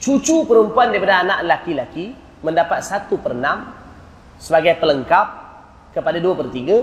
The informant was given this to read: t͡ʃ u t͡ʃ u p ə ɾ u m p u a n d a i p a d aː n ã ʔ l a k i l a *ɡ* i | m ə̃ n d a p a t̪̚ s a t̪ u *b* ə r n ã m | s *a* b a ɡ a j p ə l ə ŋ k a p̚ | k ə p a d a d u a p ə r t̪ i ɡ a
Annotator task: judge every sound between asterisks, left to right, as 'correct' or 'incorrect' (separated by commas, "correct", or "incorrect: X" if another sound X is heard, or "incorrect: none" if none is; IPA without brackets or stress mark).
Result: incorrect: k, incorrect: p, incorrect: ə